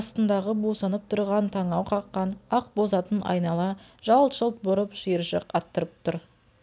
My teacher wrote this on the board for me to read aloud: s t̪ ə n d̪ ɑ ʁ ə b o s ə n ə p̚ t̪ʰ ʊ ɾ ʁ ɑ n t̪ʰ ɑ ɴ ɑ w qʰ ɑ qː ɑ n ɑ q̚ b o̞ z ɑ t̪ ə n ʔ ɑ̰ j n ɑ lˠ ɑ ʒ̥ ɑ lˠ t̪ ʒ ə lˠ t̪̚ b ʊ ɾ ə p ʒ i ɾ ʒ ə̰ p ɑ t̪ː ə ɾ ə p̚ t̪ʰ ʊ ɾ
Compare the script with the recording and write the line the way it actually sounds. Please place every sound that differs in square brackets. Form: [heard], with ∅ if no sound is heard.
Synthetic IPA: s t̪ ə n d̪ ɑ ʁ ə b o s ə n ə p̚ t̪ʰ ʊ ɾ ʁ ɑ n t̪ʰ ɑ ɴ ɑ w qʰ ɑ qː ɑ n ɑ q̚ b o̞ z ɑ t̪ ə n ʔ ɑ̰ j n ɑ lˠ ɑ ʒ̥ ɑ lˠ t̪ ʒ ə lˠ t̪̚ b ʊ ɾ ə p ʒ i ɾ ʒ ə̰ [q] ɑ t̪ː ə ɾ ə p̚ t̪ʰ ʊ ɾ